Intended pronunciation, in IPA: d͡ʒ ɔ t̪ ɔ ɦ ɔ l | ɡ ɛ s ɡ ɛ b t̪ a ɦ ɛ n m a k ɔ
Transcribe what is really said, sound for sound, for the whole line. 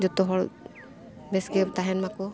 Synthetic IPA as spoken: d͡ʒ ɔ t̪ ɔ ɦ ɔ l | b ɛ s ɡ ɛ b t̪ a ɦ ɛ n m a k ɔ

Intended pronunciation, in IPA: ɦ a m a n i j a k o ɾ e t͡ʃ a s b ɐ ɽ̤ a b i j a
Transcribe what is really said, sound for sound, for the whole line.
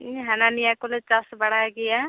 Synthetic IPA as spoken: ɦ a n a n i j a k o l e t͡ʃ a s b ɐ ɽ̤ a ɡ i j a

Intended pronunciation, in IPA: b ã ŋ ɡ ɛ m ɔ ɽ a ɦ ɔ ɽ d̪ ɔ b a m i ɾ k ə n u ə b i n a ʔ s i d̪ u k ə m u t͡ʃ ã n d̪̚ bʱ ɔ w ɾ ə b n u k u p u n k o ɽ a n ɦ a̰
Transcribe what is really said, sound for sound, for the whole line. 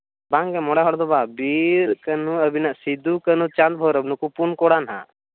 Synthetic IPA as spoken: b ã ŋ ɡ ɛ m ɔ ɽ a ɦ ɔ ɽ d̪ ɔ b a b i ɾ k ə n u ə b i n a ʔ s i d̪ u k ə n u t͡ʃ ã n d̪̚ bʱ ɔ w ɾ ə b n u k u p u n k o ɽ a n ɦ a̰

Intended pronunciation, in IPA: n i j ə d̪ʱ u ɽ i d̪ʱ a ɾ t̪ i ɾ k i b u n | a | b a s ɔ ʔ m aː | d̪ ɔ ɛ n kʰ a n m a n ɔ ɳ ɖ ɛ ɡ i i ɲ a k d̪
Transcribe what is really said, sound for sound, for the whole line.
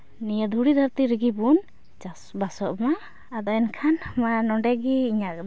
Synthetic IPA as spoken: n i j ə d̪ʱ u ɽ i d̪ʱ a ɾ t̪ i ɾ ɡ i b u n | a | b a s ɔ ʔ m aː | d̪ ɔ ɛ n kʰ a n m a n ɔ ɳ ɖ ɛ ɡ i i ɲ a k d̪

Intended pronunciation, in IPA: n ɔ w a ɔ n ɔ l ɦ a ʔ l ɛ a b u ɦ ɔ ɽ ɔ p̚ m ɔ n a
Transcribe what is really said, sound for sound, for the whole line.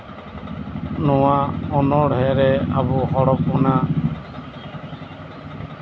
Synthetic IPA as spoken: n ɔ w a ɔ n ɔ ɽ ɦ ɛ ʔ ɾ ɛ a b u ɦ ɔ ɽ ɔ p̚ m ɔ n a

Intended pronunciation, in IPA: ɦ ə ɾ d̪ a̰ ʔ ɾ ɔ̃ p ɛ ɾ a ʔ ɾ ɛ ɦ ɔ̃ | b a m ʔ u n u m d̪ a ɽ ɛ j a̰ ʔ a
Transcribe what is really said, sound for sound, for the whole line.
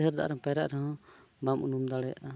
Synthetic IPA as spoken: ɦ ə ɾ d̪ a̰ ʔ ɾ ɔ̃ p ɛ ɾ a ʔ ɾ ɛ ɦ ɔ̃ | b a m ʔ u n u m d̪ a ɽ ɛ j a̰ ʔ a

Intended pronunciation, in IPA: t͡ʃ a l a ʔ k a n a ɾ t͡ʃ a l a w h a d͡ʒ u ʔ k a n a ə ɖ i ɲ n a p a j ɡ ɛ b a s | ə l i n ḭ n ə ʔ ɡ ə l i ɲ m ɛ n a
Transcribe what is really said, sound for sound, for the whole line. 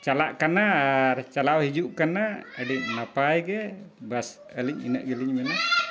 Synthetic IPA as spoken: t͡ʃ a l a ʔ k a n a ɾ t͡ʃ a l a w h i d͡ʒ u ʔ k a n a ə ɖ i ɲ n a p a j ɡ ɛ b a s | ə l i ɲ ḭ n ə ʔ ɡ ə l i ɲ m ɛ n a

